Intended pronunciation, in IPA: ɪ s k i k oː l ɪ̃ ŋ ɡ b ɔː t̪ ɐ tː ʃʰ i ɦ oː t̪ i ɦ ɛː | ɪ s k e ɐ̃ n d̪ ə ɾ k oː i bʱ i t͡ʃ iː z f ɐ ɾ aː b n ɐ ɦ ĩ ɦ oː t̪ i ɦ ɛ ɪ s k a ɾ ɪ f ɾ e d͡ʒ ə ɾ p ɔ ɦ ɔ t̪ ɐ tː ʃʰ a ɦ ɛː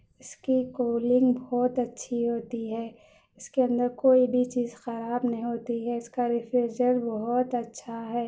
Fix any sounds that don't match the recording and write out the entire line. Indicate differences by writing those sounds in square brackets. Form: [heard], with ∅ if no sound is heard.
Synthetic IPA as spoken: ɪ s k i k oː l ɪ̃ ŋ ɡ b ɔː t̪ ɐ tː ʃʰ i ɦ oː t̪ i ɦ ɛː | ɪ s k e ɐ̃ n d̪ ə ɾ k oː i bʱ i t͡ʃ iː z [x] ɐ ɾ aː b n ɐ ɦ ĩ ɦ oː t̪ i ɦ ɛ ɪ s k a ɾ ɪ f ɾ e d͡ʒ ə ɾ [b] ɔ ɦ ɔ t̪ ɐ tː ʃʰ a ɦ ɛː